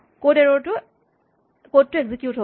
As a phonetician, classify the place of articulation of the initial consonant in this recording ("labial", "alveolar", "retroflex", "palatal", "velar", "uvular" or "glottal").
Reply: velar